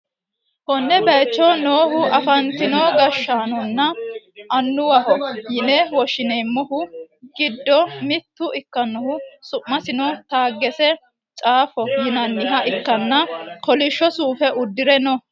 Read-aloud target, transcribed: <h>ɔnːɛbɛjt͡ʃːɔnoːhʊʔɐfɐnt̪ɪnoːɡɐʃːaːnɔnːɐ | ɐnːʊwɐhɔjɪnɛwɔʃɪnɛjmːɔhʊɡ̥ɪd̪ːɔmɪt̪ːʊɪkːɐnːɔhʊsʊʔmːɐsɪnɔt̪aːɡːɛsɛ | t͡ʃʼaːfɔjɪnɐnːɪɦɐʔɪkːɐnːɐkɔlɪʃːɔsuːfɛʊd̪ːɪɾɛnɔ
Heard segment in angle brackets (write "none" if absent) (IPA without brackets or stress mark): h